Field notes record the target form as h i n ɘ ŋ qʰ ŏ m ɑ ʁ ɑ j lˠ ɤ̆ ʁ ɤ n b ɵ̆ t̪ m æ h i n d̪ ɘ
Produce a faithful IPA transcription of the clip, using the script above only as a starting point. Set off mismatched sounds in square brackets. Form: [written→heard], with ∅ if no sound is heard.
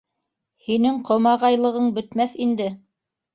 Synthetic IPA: h i n ɘ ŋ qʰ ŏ m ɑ ʁ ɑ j lˠ ɤ̆ ʁ ɤ [n→ɴ] b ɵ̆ t̪ m æ [h→θ] i n d̪ ɘ